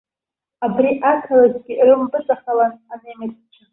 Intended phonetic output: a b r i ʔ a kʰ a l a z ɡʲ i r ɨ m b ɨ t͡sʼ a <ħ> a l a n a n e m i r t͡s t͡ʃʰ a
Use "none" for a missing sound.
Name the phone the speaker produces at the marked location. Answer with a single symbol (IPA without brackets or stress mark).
χ